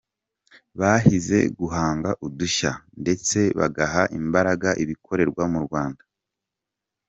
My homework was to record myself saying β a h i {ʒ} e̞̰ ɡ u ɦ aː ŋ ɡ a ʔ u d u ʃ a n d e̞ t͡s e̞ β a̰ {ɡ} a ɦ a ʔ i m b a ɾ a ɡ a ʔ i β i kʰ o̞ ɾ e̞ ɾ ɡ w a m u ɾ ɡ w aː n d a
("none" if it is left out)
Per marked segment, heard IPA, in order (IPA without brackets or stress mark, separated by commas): z, ɡ